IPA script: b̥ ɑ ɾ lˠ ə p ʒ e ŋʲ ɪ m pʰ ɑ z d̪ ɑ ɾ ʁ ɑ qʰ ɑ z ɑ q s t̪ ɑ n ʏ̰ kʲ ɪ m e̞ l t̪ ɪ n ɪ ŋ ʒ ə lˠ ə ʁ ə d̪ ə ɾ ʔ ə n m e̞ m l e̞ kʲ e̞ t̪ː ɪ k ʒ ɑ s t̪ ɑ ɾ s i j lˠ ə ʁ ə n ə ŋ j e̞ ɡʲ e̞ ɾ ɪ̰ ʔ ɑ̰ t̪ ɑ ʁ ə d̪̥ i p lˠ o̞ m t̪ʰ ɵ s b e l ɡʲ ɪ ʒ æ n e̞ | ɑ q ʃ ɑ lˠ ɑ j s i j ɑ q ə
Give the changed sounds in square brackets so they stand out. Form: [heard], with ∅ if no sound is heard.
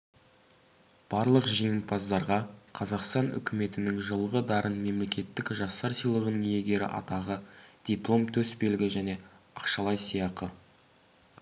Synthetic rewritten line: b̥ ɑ ɾ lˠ ə [q] ʒ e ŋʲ ɪ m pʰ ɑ z d̪ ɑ ɾ ʁ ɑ qʰ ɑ z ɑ q s t̪ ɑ n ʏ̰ kʲ ɪ m e̞ [∅] t̪ ɪ n ɪ ŋ ʒ ə lˠ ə ʁ ə d̪ [ɑ] ɾ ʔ ə n m e̞ m l e̞ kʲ e̞ t̪ː ɪ k ʒ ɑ s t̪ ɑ ɾ s i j lˠ ə ʁ ə n ə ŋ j e̞ ɡʲ e̞ ɾ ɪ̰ ʔ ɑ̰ t̪ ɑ ʁ ə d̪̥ i p lˠ o̞ m t̪ʰ ɵ s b e l ɡʲ ɪ ʒ æ n e̞ | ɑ q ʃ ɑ lˠ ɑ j s i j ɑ q ə